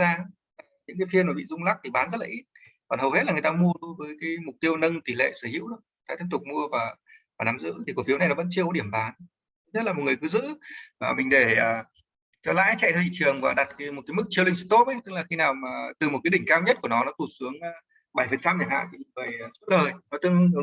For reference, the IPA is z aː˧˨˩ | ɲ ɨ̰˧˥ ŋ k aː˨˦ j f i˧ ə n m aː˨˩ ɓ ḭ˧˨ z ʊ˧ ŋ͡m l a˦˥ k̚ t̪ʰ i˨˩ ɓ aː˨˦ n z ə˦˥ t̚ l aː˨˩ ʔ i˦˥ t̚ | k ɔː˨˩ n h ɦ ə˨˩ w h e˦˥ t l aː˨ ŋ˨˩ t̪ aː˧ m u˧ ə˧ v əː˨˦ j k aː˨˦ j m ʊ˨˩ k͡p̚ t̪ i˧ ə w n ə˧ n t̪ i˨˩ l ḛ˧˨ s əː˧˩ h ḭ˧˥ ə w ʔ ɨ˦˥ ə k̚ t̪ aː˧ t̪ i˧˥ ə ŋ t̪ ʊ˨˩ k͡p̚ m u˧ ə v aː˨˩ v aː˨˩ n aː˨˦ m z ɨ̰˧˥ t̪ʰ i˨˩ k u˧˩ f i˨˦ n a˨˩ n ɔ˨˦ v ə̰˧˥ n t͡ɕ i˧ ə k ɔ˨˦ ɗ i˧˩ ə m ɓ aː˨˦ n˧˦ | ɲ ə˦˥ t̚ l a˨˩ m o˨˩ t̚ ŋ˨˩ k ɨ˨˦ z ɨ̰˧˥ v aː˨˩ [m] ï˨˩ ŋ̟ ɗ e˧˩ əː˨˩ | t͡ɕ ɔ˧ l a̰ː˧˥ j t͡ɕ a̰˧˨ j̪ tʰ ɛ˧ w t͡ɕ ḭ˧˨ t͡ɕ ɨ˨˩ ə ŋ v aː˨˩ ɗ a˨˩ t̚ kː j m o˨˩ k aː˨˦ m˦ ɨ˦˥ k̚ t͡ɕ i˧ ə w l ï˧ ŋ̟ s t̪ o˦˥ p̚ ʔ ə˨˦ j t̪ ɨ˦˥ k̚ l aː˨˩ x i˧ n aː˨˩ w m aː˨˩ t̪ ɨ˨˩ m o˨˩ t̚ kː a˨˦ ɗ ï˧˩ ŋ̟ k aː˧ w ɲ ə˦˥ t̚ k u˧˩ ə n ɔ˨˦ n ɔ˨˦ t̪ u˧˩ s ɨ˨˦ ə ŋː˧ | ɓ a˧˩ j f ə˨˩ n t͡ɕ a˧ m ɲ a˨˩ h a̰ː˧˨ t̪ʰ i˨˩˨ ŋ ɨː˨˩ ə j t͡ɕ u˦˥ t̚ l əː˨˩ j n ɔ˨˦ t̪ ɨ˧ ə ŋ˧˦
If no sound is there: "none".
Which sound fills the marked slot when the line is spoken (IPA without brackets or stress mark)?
m